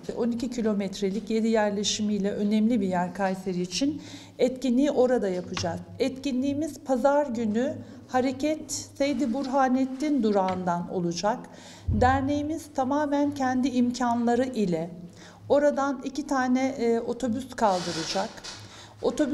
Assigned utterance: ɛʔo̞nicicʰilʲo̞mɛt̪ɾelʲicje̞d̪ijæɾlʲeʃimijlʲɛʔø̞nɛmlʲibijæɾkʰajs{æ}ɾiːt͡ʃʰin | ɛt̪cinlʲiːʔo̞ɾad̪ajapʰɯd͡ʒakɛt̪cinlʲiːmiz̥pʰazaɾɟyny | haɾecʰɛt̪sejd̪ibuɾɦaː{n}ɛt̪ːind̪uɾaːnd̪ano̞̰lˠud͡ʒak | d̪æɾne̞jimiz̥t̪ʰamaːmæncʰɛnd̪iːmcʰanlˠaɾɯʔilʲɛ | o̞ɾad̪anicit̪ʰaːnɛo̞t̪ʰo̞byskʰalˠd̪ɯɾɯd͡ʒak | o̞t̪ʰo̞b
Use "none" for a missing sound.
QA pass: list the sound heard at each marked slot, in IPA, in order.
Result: e, n

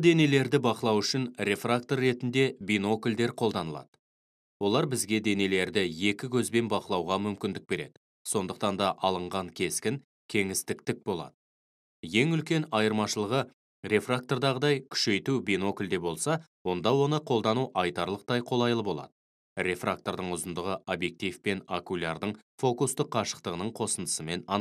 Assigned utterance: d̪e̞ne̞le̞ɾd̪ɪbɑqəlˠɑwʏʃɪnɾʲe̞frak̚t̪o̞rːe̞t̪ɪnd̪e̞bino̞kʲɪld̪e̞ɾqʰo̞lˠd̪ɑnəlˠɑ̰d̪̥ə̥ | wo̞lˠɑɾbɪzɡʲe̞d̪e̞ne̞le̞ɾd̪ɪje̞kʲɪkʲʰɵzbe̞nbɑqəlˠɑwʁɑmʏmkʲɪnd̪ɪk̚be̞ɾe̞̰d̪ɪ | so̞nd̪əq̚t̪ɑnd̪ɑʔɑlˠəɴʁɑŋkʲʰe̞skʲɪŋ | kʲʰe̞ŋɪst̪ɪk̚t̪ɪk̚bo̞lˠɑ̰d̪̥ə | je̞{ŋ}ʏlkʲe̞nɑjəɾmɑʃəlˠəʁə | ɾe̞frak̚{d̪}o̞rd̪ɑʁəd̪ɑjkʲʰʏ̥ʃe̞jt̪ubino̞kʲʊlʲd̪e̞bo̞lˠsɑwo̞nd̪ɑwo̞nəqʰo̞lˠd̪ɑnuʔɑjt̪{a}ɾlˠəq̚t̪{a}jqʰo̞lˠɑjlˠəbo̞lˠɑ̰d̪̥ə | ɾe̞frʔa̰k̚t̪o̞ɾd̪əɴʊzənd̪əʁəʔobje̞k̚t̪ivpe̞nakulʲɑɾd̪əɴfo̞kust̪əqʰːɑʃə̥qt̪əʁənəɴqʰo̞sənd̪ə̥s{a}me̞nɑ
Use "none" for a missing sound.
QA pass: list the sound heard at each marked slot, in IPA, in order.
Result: ŋ, t̪, ɑ, ɑ, ə

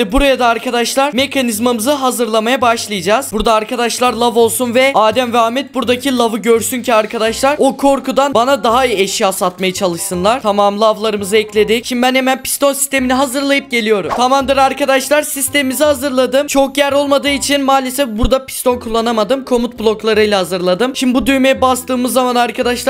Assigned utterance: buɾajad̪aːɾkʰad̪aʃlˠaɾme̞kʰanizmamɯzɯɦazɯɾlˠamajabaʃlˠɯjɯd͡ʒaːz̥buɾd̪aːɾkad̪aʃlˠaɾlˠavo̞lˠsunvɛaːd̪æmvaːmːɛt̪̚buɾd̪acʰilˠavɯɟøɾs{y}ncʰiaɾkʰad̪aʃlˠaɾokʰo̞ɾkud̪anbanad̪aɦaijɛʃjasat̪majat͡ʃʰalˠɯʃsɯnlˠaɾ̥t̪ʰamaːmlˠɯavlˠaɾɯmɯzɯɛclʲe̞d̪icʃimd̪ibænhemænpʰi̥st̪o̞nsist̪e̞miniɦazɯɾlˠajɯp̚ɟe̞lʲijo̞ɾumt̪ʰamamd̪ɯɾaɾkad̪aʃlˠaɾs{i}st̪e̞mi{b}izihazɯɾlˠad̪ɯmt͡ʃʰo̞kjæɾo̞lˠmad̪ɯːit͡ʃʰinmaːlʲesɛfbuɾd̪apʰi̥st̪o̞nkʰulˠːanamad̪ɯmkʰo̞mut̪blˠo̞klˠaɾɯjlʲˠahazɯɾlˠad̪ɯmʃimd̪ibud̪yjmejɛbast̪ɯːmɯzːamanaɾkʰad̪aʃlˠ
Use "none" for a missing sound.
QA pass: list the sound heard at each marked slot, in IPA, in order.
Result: y, i, m

